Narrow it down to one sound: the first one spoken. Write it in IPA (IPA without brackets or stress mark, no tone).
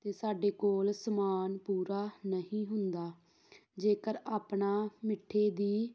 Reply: t̪